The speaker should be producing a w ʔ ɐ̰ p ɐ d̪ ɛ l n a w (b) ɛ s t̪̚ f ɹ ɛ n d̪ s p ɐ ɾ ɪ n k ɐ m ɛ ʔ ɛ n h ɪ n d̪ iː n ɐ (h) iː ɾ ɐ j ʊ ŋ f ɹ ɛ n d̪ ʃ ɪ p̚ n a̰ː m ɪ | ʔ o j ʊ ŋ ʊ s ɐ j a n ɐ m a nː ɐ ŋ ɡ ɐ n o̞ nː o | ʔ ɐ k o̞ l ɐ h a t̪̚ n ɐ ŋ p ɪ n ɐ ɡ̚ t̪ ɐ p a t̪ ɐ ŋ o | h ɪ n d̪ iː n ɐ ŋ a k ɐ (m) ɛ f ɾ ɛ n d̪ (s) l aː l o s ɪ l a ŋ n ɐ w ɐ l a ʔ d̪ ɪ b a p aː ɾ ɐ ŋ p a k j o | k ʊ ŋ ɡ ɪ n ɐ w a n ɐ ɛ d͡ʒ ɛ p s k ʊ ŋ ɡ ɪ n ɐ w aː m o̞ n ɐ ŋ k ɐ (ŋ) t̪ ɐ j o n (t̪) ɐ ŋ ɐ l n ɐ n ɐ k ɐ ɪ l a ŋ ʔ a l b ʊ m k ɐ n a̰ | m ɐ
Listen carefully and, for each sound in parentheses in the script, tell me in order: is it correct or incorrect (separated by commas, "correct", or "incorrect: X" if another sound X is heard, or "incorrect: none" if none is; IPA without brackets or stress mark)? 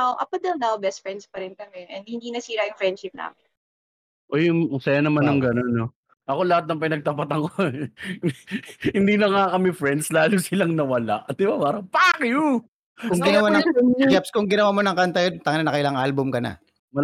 correct, incorrect: s, correct, correct, incorrect: n, correct